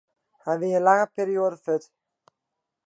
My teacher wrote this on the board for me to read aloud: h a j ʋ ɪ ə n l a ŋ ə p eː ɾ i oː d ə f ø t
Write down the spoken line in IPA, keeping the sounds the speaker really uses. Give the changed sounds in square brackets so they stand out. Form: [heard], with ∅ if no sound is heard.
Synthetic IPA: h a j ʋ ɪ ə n l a ŋ ə p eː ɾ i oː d ə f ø t